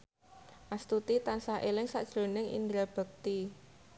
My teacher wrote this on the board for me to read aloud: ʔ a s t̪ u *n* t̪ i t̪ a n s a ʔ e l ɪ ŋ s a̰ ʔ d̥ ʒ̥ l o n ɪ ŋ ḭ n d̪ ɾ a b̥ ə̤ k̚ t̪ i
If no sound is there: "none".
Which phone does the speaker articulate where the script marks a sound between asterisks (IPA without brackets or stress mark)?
none